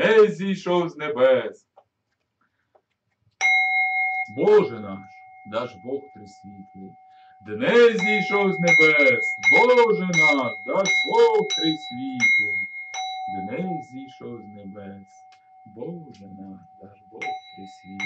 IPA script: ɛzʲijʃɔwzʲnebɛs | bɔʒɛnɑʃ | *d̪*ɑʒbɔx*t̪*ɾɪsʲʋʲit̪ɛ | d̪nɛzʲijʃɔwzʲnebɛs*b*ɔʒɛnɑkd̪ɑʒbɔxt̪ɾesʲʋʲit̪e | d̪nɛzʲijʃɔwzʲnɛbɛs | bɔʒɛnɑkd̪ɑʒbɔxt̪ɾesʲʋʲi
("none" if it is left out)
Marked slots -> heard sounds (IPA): d̪, t̪, b

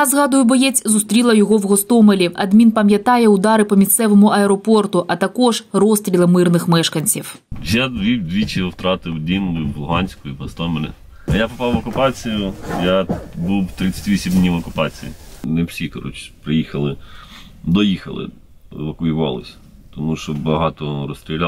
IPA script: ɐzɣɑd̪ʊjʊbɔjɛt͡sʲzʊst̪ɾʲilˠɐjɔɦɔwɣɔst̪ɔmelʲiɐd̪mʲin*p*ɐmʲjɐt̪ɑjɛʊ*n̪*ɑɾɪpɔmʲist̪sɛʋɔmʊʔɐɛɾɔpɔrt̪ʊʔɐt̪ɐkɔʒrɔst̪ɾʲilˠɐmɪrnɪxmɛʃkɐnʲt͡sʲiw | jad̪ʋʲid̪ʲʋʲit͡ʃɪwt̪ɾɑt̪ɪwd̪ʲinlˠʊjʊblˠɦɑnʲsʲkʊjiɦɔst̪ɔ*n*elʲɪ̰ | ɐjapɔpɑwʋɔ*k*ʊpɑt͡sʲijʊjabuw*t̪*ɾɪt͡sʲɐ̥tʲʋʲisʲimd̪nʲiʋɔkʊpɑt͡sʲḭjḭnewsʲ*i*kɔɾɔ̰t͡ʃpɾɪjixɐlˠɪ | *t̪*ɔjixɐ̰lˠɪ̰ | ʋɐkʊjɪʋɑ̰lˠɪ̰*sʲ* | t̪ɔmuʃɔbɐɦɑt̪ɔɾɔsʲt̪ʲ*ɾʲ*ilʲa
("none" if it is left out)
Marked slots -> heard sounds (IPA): p, d̪, m, k, t̪, i, d̪, sʲ, ɾʲ

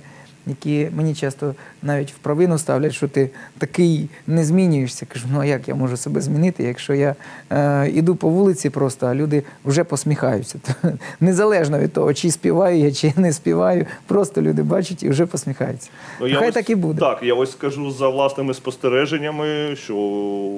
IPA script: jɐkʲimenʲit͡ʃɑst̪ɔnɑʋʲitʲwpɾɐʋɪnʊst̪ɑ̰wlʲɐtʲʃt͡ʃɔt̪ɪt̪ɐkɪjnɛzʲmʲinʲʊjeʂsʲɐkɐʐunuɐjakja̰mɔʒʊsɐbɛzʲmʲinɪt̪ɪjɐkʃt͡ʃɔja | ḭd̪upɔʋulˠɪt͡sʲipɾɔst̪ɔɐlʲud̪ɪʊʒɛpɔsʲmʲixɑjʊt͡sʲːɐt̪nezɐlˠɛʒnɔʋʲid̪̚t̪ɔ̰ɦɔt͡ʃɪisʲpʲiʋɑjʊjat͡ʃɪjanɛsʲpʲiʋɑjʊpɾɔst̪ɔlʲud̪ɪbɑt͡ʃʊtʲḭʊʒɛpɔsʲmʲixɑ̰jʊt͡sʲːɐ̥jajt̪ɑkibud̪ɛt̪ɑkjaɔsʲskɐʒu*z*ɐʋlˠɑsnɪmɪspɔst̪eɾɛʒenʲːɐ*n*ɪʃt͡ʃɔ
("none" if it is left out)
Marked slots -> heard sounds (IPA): z, m

